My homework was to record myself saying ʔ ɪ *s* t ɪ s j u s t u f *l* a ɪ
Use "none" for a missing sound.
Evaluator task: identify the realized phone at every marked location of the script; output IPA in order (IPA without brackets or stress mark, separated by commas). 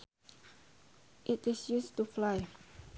none, l